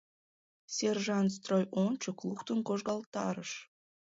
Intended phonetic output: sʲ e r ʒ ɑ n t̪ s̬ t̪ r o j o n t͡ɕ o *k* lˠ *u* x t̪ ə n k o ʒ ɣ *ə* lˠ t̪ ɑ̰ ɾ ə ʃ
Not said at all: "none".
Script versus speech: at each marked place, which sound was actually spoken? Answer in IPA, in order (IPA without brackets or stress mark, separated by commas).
k, u, ɑ